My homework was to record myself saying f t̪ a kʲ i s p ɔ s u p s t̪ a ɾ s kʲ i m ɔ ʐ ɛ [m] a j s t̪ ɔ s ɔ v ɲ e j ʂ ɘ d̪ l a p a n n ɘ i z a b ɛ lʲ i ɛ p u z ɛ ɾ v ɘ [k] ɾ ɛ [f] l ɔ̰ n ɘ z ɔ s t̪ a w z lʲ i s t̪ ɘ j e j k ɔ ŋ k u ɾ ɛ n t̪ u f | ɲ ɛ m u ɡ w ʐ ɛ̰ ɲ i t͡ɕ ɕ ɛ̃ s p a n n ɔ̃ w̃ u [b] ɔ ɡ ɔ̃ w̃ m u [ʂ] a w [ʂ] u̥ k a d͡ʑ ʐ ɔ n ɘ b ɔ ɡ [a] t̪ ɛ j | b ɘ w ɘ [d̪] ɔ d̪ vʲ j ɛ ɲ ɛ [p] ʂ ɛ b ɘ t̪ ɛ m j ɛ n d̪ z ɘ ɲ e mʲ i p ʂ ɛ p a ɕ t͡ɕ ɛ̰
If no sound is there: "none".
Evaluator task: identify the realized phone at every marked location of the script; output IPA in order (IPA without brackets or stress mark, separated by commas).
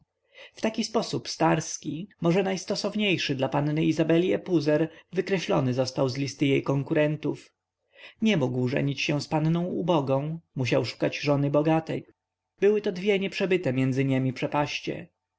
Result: n, k, ɕ, b, ɕ, ʂ, a, t̪, p